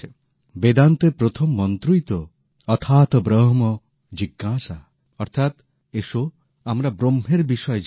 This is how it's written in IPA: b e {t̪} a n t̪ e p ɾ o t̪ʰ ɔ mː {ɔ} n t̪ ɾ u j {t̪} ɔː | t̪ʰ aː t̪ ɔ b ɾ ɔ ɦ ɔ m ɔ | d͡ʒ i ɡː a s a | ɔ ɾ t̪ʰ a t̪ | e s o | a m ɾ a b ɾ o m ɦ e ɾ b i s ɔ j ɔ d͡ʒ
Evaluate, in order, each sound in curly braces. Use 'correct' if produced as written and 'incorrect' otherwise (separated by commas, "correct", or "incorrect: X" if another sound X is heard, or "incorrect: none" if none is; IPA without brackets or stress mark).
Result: incorrect: d̪, correct, correct